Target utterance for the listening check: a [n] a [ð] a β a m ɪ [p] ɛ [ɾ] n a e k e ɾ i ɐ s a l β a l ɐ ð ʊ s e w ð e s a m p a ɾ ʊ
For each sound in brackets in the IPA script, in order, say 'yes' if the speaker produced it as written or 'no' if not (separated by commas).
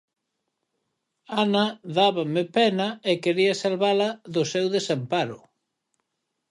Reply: yes, yes, yes, no